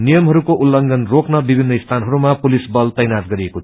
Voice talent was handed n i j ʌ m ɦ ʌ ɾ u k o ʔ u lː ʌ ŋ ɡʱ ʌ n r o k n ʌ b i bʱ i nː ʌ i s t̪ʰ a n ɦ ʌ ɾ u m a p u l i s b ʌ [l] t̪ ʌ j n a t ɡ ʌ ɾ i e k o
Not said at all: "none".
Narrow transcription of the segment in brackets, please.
l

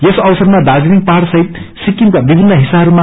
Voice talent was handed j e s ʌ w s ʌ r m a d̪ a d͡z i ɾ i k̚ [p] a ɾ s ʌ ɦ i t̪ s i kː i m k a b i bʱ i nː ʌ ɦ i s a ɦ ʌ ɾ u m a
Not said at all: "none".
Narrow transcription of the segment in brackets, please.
p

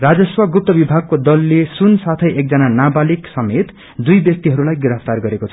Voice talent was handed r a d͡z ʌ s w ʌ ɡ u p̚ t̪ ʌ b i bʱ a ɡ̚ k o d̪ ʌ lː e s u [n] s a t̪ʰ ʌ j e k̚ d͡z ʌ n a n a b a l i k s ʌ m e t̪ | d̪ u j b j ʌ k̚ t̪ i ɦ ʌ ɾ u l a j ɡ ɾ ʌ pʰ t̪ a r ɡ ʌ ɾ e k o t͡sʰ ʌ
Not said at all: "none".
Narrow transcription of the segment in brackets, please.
n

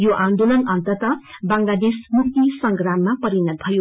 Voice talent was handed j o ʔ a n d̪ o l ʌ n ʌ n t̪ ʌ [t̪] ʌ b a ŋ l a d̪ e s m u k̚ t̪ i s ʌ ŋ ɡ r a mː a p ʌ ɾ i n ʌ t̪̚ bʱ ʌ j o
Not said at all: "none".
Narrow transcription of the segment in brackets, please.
t̪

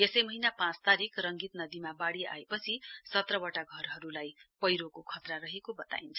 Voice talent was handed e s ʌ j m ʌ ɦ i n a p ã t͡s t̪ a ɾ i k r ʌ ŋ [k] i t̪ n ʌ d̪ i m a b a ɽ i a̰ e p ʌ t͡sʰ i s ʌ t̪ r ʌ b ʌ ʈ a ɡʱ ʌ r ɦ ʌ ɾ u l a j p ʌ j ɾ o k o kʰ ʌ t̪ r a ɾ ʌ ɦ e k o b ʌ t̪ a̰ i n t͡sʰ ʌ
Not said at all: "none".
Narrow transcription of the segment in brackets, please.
ɡ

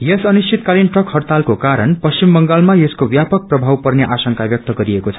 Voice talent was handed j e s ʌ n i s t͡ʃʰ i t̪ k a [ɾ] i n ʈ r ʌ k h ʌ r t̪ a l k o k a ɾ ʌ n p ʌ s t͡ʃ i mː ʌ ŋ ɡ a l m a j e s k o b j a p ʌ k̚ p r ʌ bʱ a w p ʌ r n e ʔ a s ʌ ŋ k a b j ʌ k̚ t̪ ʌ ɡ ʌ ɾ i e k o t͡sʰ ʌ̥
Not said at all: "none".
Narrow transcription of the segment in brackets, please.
l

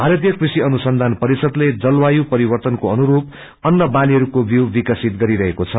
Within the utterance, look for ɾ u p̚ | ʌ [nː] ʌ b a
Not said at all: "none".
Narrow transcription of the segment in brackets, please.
nː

